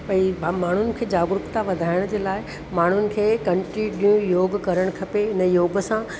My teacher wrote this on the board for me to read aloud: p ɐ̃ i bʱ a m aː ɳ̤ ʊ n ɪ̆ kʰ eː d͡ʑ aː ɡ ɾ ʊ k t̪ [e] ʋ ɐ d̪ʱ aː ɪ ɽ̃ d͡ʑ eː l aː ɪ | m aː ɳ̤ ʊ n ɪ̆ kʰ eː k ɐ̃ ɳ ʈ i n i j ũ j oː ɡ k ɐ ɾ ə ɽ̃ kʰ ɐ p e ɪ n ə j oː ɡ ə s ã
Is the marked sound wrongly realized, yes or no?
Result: yes